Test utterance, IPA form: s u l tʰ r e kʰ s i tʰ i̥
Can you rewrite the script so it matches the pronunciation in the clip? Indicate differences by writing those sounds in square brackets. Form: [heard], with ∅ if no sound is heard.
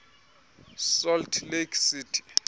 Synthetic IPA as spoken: s [ɔ] l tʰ [l] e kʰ s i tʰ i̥